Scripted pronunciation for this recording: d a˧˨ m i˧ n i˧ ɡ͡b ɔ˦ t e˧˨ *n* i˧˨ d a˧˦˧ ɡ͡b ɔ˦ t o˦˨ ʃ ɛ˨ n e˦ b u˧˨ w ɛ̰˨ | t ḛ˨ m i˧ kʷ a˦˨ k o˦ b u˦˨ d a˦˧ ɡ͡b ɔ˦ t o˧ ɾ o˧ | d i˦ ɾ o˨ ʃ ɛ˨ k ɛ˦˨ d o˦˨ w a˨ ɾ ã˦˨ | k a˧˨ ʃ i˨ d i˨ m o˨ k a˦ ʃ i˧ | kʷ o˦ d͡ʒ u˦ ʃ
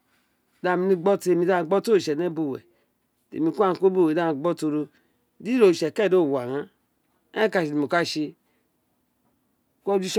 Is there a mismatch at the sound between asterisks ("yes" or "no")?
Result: yes